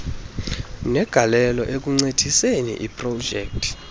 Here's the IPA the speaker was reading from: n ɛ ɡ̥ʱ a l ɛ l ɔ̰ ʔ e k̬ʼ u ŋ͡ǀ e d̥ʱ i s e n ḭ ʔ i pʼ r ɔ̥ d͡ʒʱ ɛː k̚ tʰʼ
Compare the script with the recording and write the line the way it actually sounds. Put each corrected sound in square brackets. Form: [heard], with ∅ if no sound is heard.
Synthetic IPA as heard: n ɛ ɡ̥ʱ a l ɛ l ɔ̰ ʔ e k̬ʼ u ŋ͡ǀ e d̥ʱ i s e n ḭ ʔ i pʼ r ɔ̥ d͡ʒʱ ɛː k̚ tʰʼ